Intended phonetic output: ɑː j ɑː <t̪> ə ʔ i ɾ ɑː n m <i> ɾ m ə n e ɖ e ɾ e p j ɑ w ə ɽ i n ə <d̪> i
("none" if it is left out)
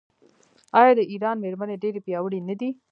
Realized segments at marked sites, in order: d̪, e, d̪

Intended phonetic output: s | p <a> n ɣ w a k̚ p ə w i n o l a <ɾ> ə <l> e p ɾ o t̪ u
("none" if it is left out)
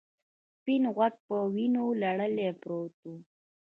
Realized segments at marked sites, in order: i, ɽ, l

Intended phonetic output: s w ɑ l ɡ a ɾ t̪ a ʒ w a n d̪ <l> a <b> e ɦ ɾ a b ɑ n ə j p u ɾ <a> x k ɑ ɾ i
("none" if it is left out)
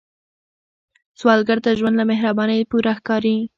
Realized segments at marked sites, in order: l, m, a

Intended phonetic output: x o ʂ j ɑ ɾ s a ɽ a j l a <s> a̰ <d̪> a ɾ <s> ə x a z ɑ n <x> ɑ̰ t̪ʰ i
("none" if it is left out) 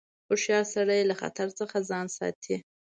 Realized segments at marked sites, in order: x, t̪, t͡s, s

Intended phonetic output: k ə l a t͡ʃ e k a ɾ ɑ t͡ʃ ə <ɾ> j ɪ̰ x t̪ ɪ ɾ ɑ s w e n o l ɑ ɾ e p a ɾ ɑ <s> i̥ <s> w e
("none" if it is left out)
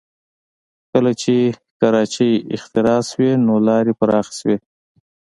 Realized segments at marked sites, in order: none, x, s

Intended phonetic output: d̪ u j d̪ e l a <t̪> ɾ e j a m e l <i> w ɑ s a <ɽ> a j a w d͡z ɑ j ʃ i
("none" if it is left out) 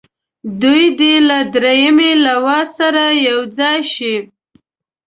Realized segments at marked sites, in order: d̪, a, ɾ

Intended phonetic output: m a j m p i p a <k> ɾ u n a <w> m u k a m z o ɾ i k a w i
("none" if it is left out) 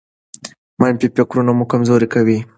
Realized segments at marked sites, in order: k, none

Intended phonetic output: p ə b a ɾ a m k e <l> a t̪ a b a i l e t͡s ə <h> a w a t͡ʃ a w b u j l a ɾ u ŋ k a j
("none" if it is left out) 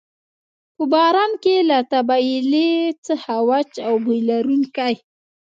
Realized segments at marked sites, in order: l, h

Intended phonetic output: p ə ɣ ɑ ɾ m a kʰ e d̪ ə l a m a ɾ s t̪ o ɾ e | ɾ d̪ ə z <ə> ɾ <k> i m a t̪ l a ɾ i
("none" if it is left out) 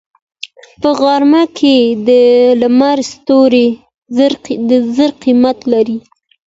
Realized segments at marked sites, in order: ə, q

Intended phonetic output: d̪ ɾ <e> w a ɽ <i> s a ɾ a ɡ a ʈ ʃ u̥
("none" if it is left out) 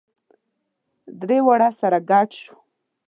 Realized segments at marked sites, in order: e, a

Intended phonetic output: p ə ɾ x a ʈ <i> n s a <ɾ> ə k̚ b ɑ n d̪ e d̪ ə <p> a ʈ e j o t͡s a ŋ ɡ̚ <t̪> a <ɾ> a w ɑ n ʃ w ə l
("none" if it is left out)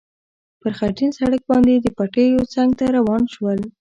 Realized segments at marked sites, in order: i, ɽ, p, t̪, ɾ

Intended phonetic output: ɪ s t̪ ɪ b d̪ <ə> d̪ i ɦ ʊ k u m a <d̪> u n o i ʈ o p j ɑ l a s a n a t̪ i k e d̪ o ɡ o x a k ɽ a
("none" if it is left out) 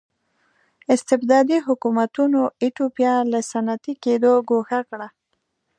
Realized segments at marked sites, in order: ɑ, t̪

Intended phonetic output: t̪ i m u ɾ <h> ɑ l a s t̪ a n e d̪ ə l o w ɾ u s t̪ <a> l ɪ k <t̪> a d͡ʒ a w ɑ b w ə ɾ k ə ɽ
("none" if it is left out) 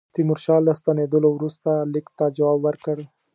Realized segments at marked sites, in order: ʃ, a, t̪

